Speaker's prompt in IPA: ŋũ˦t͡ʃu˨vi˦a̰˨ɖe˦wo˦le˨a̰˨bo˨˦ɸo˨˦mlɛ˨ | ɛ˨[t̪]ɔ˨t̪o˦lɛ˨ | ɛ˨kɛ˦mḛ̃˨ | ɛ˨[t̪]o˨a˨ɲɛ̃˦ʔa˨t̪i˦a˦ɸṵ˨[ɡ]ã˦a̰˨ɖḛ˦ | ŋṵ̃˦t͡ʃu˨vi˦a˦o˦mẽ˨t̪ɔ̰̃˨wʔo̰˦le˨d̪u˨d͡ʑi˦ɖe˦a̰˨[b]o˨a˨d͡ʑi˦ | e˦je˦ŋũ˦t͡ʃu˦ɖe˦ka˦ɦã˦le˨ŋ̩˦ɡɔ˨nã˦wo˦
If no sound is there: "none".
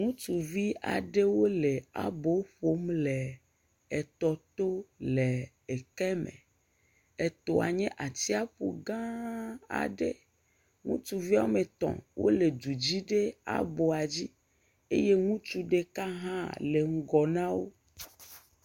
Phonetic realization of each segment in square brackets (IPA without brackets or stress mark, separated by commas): t̪, t̪, ɡ, b